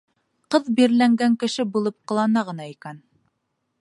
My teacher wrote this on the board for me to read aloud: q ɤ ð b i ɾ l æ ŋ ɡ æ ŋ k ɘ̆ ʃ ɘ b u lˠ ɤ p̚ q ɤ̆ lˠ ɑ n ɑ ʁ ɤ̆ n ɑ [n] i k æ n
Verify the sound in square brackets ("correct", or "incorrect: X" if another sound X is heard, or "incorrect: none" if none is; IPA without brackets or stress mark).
incorrect: none